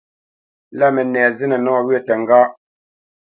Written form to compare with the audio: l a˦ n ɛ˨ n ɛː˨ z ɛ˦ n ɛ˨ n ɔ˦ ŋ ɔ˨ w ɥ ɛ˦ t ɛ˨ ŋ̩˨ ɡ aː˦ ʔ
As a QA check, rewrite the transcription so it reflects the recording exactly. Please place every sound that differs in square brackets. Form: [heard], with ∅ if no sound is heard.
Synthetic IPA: l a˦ [m] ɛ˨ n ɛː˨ z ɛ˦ n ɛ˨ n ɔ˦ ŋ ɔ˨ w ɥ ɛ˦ t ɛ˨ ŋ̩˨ ɡ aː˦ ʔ